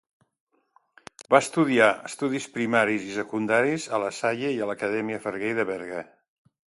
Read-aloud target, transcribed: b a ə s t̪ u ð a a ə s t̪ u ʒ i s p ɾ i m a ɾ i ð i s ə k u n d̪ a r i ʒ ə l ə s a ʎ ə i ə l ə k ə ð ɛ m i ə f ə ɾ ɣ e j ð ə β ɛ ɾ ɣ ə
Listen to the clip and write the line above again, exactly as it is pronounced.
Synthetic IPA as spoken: b a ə s t̪ u ð i a ə s t̪ u ð i s p ɾ i m a ɾ i z i s ə k u n d̪ a ɾ i z ə l ə s a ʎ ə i ə l ə k ə ð ɛ m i ə f ə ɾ ɣ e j ð ə β ɛ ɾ ɣ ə